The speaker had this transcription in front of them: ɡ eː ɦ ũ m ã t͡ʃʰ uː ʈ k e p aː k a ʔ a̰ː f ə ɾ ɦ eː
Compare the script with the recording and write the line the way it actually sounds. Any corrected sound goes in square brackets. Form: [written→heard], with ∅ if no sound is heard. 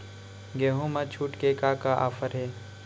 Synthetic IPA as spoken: ɡ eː ɦ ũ m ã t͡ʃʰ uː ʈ k e [p→k] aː k a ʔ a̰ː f ə ɾ ɦ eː